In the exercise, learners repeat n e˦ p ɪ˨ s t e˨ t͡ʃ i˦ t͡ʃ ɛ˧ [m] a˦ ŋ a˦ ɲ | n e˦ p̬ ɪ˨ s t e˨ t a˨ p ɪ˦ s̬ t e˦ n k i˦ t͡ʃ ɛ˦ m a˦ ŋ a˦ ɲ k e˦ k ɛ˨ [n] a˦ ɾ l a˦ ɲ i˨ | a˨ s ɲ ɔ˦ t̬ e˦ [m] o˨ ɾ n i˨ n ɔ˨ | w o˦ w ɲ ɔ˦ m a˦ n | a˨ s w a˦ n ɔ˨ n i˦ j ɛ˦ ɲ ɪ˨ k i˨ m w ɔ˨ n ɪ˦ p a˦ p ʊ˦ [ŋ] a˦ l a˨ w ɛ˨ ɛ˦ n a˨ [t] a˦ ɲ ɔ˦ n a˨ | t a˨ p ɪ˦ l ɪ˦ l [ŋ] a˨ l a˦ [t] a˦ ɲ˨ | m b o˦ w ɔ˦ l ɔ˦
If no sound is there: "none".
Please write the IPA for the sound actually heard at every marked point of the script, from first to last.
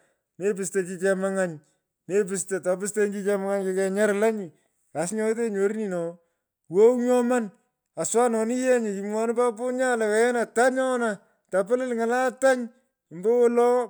m, ɲ, ɲ, ɲ, t, ŋ, t

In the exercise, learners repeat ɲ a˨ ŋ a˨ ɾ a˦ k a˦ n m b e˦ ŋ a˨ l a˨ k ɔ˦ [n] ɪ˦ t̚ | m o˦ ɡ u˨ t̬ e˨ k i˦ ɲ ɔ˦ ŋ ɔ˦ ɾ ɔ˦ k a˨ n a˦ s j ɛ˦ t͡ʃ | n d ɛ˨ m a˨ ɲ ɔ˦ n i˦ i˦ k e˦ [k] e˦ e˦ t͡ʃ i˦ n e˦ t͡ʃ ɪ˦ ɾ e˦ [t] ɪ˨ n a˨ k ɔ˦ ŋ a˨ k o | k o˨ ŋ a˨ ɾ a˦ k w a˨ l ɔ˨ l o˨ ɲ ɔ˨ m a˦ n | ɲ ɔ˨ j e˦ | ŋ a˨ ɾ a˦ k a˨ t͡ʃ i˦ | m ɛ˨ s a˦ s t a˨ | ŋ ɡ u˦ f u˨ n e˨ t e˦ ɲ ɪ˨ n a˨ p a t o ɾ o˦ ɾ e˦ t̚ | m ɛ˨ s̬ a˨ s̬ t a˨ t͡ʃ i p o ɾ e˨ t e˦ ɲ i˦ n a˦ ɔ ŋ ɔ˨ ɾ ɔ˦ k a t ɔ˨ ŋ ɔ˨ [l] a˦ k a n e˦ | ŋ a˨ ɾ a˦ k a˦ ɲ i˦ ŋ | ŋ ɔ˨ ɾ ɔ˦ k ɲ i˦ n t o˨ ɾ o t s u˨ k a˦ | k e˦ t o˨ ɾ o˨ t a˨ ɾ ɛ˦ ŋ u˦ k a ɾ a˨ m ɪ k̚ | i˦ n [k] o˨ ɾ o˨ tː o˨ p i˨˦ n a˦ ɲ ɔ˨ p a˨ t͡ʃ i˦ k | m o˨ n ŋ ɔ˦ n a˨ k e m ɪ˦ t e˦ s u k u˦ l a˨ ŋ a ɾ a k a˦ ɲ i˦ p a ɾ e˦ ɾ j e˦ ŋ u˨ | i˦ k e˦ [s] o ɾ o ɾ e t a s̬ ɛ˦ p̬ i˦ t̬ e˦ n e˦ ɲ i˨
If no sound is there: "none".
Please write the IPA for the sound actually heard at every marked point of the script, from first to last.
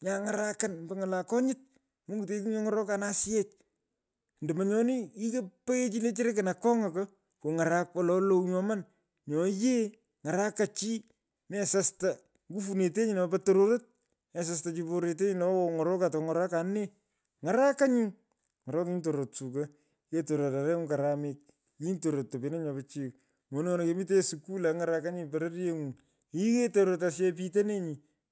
ɲ, p, k, ɾ, t, t

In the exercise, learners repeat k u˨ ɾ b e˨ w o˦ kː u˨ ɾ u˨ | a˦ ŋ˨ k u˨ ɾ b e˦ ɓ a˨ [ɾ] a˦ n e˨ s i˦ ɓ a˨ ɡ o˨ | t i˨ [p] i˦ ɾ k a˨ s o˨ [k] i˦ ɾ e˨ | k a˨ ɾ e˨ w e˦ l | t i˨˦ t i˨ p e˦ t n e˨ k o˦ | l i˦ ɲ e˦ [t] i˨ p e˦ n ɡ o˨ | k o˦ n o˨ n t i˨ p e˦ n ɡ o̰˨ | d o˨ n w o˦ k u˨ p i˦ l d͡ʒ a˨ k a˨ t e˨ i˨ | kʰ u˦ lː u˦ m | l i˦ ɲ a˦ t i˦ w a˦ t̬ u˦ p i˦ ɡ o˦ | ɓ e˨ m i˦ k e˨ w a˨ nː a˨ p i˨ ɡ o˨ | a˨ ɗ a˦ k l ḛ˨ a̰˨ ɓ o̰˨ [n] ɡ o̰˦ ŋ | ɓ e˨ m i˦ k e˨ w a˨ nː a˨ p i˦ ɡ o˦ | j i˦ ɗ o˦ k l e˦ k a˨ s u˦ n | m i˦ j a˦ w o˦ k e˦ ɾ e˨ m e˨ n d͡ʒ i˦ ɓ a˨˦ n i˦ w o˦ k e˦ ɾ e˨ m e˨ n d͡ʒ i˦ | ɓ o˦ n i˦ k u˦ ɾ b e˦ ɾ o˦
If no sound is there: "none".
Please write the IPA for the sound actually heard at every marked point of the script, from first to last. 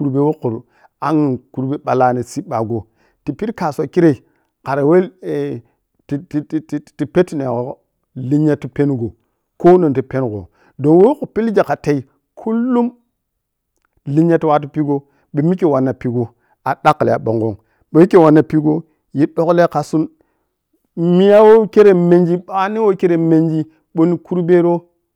l, p, k, t, ŋ

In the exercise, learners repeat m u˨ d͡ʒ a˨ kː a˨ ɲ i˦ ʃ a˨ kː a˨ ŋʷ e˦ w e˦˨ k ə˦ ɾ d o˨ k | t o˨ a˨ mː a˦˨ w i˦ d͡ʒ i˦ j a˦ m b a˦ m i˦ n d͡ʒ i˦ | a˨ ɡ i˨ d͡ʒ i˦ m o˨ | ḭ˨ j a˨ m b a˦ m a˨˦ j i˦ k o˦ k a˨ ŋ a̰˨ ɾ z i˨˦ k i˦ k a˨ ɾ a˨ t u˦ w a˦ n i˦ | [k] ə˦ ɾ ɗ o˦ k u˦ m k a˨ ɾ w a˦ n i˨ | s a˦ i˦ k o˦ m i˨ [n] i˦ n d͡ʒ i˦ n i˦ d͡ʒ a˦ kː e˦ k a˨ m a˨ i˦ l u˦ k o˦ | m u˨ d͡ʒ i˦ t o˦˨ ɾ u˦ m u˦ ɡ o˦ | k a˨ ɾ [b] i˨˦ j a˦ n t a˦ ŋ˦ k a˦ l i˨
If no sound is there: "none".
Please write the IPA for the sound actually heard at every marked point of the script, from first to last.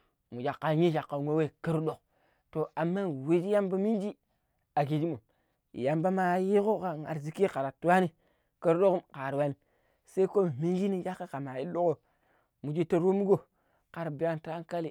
k, m, b

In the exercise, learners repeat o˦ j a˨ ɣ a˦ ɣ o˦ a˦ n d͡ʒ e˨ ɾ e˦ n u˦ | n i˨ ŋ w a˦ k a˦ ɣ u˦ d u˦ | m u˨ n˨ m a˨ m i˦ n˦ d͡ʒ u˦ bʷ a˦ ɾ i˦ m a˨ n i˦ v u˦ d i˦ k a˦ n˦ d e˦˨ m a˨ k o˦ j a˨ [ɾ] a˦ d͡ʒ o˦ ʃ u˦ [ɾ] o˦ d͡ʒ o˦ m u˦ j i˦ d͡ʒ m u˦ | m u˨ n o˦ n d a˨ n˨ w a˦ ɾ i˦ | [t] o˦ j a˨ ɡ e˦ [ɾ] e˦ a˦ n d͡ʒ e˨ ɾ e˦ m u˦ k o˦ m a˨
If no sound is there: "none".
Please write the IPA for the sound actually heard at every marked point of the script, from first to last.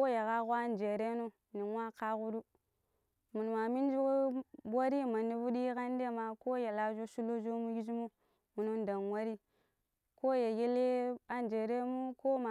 l, l, k, l

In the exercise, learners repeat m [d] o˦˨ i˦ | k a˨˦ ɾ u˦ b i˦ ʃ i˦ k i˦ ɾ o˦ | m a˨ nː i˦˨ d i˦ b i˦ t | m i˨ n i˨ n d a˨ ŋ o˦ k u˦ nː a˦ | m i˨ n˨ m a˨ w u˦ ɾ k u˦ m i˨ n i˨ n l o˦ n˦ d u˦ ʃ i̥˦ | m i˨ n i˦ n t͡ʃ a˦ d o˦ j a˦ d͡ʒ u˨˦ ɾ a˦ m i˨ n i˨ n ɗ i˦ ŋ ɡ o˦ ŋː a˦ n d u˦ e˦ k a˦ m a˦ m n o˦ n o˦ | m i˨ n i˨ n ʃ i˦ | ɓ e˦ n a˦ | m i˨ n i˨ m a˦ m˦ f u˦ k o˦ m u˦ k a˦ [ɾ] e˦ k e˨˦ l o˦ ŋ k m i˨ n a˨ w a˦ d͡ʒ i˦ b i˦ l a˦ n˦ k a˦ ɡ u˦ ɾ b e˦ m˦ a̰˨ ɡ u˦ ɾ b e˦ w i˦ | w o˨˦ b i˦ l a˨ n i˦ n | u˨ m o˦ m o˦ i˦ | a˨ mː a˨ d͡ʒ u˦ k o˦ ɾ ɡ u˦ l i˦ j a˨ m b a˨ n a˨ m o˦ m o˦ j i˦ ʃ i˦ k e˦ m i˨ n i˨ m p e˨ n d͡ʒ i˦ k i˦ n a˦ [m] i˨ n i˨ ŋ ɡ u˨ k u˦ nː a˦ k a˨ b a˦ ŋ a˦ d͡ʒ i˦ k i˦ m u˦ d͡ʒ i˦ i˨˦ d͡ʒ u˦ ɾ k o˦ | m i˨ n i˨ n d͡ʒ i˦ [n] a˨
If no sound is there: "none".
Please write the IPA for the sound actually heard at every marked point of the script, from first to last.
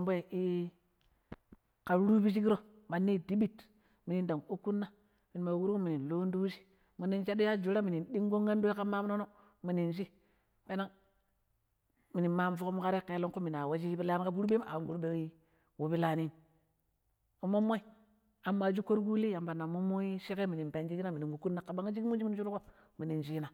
b, ɾ, m, n

